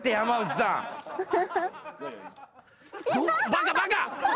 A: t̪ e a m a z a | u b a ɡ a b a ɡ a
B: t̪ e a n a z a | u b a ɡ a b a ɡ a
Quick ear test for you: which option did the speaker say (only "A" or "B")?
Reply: A